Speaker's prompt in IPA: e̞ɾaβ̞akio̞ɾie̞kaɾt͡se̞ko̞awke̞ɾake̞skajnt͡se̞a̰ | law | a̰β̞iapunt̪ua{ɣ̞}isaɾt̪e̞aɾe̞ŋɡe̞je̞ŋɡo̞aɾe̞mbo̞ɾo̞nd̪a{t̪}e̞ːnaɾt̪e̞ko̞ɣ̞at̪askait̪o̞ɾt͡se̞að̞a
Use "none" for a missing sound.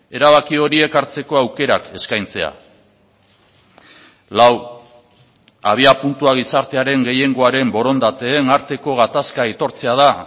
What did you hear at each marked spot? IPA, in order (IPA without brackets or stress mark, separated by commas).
ɣ̞, t̪